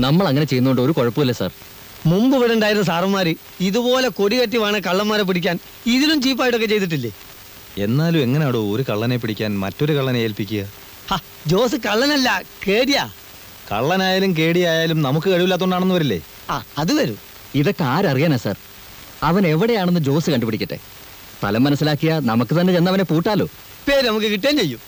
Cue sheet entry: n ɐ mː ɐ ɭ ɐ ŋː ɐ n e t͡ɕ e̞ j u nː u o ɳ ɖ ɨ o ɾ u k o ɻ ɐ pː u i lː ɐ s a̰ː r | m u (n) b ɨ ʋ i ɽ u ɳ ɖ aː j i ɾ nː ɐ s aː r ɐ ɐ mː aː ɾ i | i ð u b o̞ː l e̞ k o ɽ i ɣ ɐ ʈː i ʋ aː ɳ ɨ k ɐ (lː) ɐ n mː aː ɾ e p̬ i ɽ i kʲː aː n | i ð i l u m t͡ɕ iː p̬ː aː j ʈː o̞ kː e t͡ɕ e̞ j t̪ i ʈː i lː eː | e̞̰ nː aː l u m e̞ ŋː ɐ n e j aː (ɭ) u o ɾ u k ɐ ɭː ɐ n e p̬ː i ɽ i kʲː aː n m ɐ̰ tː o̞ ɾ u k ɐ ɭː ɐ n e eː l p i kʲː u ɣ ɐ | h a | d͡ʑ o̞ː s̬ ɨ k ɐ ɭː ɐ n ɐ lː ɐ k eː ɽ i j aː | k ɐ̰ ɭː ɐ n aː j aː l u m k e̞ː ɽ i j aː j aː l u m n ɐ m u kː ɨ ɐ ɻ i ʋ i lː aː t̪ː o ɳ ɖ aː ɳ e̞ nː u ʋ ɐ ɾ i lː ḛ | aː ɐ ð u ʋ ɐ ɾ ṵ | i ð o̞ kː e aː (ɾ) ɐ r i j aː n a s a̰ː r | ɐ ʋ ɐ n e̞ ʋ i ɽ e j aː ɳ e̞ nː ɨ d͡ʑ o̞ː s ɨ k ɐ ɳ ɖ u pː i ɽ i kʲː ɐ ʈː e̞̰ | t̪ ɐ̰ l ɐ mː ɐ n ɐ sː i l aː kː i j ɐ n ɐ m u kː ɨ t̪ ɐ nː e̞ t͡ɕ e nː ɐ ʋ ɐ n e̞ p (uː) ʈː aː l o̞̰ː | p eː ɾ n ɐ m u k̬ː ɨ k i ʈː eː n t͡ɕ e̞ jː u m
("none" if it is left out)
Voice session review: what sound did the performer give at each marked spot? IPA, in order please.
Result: m, ɭː, ɽ, ɾ, uː

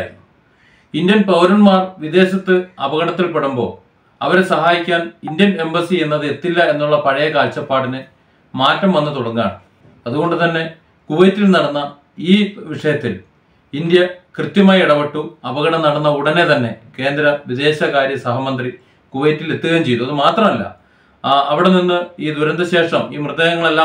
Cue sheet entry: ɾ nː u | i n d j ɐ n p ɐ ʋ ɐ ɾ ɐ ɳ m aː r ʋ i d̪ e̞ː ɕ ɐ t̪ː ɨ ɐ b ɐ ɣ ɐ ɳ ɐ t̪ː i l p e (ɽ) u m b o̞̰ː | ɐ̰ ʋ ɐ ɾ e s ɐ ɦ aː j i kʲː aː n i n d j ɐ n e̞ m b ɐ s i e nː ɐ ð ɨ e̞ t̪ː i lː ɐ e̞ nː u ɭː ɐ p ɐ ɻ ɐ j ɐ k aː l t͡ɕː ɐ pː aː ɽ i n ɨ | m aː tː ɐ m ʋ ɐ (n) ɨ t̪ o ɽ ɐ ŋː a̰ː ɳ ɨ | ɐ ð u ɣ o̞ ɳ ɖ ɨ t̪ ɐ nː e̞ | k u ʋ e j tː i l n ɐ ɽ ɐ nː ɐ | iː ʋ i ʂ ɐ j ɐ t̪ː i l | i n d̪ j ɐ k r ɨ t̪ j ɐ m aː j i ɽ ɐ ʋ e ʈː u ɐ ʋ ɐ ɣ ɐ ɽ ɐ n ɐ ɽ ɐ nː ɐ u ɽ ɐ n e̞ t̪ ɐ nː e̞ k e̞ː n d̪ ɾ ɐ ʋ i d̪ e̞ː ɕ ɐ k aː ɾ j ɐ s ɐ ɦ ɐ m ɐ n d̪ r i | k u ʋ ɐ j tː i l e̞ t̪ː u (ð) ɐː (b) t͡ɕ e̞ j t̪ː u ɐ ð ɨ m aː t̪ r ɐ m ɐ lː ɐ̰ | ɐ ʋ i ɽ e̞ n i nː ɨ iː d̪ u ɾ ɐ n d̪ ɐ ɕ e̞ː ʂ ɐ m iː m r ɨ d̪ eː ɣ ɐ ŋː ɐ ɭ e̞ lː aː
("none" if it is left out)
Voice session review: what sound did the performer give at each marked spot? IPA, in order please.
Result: ɽ, nː, ɣ, m

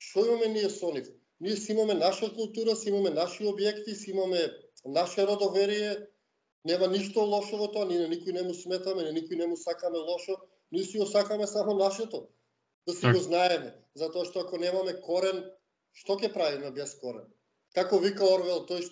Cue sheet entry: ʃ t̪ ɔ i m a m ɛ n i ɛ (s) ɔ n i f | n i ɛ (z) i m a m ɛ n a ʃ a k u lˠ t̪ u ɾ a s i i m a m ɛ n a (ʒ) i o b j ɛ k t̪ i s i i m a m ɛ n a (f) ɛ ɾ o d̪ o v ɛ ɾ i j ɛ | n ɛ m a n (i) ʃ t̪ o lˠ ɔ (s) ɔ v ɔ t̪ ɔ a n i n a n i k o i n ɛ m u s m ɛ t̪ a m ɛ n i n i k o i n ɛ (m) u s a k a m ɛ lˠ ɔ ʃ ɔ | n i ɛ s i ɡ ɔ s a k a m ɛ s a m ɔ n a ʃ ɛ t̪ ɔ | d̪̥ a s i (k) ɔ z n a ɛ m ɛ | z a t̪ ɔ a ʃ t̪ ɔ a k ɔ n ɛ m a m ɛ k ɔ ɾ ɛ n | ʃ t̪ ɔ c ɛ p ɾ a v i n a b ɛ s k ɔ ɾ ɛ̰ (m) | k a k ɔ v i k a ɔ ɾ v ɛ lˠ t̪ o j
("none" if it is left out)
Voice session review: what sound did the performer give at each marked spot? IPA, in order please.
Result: s, s, ʃ, ʃ, i, ʃ, m, ɡ, n

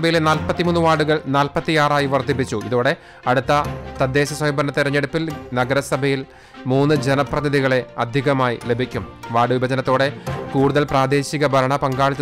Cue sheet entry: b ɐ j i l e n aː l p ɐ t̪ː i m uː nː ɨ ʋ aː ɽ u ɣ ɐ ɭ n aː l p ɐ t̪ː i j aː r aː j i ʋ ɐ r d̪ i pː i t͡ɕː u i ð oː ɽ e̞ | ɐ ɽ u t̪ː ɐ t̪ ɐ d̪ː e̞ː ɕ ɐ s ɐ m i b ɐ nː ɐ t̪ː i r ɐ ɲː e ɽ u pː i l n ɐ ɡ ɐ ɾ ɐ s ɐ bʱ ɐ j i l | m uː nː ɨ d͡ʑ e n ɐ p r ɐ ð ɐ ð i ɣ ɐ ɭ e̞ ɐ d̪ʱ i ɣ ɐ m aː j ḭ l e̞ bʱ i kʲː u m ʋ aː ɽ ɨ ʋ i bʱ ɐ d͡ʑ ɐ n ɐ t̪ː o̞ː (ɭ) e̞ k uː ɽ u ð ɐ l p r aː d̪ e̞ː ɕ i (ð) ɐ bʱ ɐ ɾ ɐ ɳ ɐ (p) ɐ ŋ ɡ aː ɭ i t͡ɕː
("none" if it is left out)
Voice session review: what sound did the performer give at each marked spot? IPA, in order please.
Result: ɽ, ɣ, p

